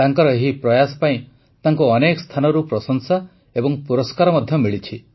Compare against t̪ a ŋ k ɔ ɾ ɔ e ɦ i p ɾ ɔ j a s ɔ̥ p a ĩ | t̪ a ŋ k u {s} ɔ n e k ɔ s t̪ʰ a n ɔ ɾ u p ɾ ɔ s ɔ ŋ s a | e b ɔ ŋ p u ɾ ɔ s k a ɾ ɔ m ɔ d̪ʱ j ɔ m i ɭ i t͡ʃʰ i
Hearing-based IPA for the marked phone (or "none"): none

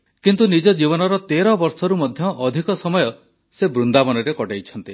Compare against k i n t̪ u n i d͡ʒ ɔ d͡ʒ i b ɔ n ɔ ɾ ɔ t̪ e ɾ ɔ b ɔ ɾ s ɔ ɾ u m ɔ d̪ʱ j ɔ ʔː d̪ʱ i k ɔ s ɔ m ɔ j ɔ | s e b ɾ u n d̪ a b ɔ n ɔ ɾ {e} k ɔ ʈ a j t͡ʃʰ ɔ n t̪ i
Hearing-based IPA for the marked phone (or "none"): e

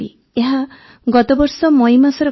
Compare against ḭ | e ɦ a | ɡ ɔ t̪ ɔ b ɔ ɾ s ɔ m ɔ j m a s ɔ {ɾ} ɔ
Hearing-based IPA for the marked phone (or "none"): ɾ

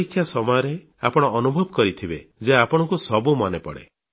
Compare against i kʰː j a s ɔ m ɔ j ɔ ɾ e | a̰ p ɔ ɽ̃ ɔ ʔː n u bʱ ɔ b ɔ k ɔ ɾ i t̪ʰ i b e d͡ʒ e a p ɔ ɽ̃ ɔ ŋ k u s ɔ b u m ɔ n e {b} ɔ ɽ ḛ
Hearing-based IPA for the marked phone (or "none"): p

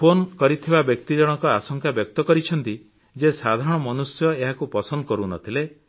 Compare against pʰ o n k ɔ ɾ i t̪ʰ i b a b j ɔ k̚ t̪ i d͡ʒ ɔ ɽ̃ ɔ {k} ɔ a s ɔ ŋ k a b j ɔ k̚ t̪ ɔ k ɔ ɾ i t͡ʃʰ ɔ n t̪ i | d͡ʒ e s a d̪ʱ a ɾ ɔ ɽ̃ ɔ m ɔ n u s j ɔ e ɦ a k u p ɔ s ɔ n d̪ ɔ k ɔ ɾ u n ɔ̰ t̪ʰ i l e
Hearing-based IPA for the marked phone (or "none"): k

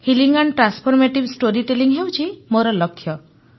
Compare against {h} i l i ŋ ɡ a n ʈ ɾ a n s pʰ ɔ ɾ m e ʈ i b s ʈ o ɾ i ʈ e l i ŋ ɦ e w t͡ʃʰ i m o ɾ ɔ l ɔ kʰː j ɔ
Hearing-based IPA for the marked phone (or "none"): h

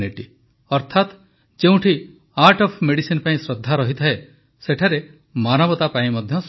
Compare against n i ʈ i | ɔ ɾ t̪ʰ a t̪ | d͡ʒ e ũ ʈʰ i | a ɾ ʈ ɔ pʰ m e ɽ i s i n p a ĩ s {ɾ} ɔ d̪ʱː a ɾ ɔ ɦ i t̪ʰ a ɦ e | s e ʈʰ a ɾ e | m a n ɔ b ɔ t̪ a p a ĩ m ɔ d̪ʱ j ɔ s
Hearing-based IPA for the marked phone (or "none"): ɾ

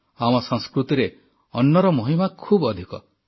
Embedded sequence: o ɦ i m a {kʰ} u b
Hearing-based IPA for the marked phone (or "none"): kʰ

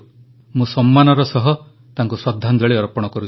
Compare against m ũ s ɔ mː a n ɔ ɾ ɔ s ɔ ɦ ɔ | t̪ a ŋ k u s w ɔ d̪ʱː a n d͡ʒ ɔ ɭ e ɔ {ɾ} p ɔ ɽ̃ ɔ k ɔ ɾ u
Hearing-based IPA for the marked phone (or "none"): ɾ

